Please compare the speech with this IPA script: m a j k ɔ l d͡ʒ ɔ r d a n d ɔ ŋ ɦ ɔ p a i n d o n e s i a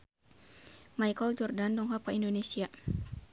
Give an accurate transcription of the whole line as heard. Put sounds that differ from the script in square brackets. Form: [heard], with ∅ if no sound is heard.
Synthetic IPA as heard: m a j k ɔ l d͡ʒ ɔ r d a n d ɔ ŋ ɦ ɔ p a i n d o n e s i a